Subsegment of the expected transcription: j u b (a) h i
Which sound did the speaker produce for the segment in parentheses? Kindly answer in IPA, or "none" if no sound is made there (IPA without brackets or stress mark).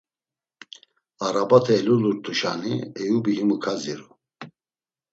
i